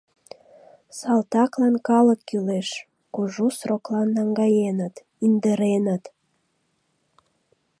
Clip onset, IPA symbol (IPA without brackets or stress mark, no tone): s